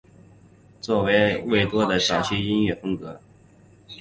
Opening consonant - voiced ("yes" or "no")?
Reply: no